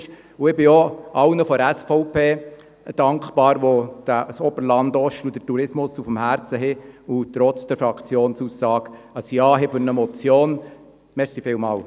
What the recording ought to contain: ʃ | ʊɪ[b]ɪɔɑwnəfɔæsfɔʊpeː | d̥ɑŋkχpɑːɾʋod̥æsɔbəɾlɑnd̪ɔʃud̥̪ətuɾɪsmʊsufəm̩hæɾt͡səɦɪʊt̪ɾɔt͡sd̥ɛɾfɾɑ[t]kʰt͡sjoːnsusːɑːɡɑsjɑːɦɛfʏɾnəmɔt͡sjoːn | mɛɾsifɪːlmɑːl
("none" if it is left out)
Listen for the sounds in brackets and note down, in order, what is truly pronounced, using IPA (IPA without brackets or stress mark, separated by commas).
b, none